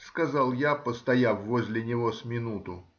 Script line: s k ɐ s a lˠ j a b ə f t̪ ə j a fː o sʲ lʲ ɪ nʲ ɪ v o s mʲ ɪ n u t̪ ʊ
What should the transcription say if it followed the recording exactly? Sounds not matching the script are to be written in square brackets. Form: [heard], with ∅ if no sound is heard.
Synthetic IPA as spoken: s k ɐ [z] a lˠ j a [p] ə [s] t̪ [ɐ] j a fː o [zʲ] lʲ ɪ nʲ ɪ v o s mʲ ɪ n u t̪ ʊ

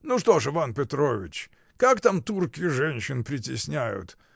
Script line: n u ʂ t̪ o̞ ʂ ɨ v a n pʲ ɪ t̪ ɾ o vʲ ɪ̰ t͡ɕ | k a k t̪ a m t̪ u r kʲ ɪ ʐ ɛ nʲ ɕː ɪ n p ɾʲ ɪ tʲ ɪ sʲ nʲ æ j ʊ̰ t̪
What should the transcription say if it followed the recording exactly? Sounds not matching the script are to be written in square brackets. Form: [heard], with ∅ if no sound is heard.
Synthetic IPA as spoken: n u ʂ t̪ o̞ ʂ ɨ v a n pʲ ɪ t̪ ɾ o vʲ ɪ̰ t͡ɕ | k a k t̪ a m t̪ u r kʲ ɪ ʐ ɛ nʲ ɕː ɪ n p ɾʲ ɪ tʲ ɪ sʲ nʲ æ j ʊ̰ t̪

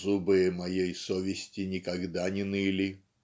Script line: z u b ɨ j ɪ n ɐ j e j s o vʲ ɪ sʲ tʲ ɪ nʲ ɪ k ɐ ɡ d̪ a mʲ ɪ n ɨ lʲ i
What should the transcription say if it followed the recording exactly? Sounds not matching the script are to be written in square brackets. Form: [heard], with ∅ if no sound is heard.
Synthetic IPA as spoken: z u b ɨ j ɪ [m] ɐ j e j s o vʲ ɪ sʲ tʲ ɪ nʲ ɪ k ɐ ɡ d̪ a [nʲ] ɪ n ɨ lʲ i

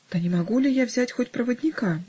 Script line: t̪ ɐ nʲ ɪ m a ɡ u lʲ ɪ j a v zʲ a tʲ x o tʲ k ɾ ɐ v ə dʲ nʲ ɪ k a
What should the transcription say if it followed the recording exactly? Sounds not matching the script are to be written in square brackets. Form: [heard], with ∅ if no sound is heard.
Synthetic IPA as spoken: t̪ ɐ nʲ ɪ m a ɡ u lʲ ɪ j a v zʲ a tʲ x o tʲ [p] ɾ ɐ v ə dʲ nʲ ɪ k a

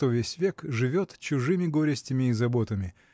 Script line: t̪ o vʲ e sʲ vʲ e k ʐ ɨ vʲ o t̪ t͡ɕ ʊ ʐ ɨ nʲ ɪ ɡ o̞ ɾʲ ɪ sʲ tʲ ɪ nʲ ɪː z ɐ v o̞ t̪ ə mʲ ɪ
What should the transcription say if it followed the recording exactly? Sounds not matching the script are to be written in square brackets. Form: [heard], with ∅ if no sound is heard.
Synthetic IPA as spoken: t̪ o vʲ e sʲ vʲ e k ʐ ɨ vʲ o t̪ t͡ɕ ʊ ʐ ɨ [mʲ] ɪ ɡ o̞ ɾʲ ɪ sʲ tʲ ɪ [mʲ] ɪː z ɐ [b] o̞ t̪ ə mʲ ɪ

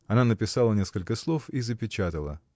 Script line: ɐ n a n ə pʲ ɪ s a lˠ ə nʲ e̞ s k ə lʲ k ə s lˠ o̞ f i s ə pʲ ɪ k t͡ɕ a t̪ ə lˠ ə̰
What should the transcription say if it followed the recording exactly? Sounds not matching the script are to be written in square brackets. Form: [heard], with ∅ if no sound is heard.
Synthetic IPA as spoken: ɐ n a n ə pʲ ɪ s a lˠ ə nʲ e̞ s k ə lʲ k ə s lˠ o̞ f i [z] ə pʲ ɪ [∅] t͡ɕ a t̪ ə lˠ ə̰

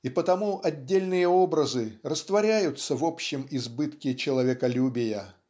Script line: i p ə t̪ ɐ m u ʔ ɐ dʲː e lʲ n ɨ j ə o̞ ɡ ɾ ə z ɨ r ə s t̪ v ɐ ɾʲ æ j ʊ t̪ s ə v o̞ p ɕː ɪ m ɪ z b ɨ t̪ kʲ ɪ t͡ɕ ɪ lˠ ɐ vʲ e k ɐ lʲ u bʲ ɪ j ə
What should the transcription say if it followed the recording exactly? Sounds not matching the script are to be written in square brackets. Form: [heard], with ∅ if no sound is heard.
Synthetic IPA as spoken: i p ə t̪ ɐ m u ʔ ɐ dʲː e lʲ n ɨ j ə o̞ [b] ɾ ə z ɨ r ə s t̪ v ɐ ɾʲ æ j ʊ t̪ s ə v o̞ p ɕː ɪ m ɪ z b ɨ t̪ kʲ ɪ t͡ɕ ɪ lˠ ɐ vʲ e k ɐ lʲ u bʲ ɪ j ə

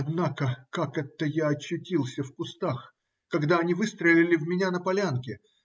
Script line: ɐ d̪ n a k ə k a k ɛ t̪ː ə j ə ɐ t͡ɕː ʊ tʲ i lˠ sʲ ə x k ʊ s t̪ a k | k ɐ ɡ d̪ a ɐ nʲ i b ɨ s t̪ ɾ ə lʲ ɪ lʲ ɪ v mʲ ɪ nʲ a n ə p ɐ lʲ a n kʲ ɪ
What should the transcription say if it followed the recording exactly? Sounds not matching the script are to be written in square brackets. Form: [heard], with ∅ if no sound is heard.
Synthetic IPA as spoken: ɐ d̪ n a k ə k a k ɛ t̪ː ə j [a] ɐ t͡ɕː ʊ tʲ i lˠ sʲ ə [f] k ʊ s t̪ a [x] | k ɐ ɡ d̪ a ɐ nʲ i [v] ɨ s t̪ ɾ ə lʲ ɪ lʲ ɪ v mʲ ɪ nʲ a n ə p ɐ lʲ a n kʲ ɪ

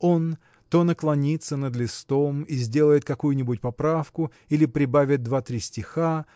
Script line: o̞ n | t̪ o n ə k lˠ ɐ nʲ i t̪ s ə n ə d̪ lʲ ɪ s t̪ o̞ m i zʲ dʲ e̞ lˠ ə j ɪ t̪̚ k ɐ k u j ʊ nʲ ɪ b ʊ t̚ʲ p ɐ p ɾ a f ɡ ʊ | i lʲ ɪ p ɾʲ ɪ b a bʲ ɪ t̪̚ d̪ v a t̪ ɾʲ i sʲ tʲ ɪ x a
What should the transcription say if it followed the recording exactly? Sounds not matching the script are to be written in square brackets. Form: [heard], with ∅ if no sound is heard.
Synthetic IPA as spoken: o̞ n | t̪ o n ə k lˠ ɐ nʲ i t̪ s ə n ə d̪ lʲ ɪ s t̪ o̞ m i zʲ dʲ e̞ lˠ ə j ɪ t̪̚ k ɐ k u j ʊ nʲ ɪ b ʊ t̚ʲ p ɐ p ɾ a f [k] ʊ | i lʲ ɪ p ɾʲ ɪ b a [vʲ] ɪ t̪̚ d̪ v a t̪ ɾʲ i sʲ tʲ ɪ x a

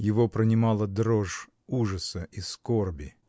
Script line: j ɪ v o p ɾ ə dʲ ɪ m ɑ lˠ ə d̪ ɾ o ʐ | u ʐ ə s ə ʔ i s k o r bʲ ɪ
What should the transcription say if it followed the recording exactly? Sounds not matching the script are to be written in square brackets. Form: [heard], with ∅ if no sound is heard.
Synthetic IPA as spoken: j ɪ v o p ɾ ə [nʲ] ɪ m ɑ lˠ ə d̪ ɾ o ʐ | u ʐ ə s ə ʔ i s k o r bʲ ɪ

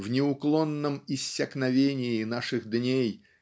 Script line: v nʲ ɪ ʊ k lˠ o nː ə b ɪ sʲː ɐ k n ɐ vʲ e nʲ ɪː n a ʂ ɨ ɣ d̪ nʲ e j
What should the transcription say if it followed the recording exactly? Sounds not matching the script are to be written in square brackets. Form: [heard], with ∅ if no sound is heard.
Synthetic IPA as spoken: v nʲ ɪ ʊ k lˠ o nː ə [m] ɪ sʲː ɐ k n ɐ vʲ e nʲ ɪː n a ʂ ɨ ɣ d̪ nʲ e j

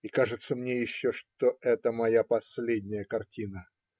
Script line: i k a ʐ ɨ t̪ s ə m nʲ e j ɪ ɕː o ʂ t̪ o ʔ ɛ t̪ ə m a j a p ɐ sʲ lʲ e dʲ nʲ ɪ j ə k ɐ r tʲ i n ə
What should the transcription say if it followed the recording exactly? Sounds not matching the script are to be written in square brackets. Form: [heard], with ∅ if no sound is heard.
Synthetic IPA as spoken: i k a ʐ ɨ t̪ s ə m nʲ e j ɪ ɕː o ʂ t̪ o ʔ ɛ t̪ ə m [ɐ] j a p ɐ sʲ lʲ e dʲ nʲ ɪ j ə k ɐ r tʲ i n ə

